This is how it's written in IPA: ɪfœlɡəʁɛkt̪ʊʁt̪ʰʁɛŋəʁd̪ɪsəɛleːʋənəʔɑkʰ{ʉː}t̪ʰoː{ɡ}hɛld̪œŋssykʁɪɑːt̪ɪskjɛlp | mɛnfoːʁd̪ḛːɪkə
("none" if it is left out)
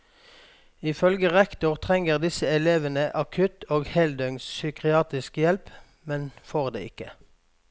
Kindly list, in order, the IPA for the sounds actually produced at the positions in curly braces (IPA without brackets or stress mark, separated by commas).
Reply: ʉ, ɡ